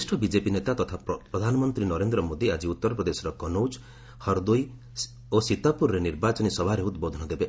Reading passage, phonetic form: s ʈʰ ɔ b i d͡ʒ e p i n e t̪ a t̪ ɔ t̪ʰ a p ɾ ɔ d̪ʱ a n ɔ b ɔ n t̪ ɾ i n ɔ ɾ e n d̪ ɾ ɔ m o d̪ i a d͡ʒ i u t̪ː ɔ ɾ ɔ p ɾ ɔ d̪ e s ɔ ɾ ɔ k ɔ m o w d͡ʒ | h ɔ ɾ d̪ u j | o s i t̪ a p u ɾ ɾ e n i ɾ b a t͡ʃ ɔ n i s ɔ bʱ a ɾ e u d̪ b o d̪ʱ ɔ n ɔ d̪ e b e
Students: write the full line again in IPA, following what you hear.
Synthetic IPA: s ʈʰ ɔ b i d͡ʒ e p i n e t̪ a t̪ ɔ t̪ʰ a p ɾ ɔ d̪ʱ a n ɔ m ɔ n t̪ ɾ i n ɔ ɾ e n d̪ ɾ ɔ m o d̪ i a d͡ʒ i u t̪ː ɔ ɾ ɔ p ɾ ɔ d̪ e s ɔ ɾ ɔ k ɔ n o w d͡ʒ | h ɔ ɾ d̪ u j | o s i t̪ a p u ɾ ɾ e n i ɾ b a t͡ʃ ɔ n i s ɔ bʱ a ɾ e u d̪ b o d̪ʱ ɔ n ɔ d̪ e b e

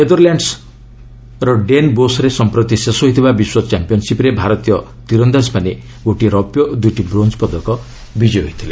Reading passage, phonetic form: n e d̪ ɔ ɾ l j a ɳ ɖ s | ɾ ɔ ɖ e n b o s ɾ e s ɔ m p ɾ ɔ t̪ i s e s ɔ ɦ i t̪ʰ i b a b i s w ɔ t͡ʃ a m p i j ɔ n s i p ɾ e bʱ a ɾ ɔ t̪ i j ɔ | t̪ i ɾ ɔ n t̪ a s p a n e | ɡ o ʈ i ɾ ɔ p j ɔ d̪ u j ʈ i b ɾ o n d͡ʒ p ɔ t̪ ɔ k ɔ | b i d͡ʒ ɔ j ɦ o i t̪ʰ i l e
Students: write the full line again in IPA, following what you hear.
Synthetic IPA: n e d̪ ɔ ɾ l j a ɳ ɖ s | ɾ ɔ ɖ e n b o s ɾ e s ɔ m p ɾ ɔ t̪ i s e s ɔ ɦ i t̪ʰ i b a b i s w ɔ t͡ʃ a m p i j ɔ n s i p ɾ e bʱ a ɾ ɔ t̪ i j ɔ | t̪ i ɾ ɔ n d̪ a s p a n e | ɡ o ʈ i ɾ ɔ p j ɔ d̪ u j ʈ i b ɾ o n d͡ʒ p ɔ d̪ ɔ k ɔ | b i d͡ʒ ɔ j ɦ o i t̪ʰ i l e

